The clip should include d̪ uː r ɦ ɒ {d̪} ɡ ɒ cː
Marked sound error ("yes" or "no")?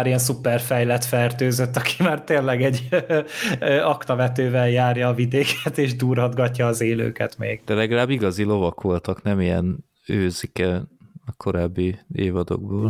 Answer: no